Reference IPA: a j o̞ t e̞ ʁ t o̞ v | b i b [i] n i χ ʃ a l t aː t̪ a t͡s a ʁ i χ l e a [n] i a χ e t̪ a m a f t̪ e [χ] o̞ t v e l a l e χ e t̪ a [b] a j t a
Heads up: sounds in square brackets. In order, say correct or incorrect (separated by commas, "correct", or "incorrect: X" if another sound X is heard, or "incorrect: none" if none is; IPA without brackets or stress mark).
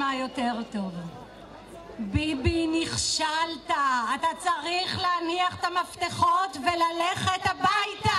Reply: correct, correct, correct, correct